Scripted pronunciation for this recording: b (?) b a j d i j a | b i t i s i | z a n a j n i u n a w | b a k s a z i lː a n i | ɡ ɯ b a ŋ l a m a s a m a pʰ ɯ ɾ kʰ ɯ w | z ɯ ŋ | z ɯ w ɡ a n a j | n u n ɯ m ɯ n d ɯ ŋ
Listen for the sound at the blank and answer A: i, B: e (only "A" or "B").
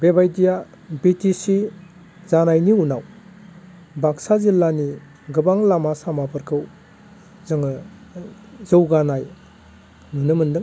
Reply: B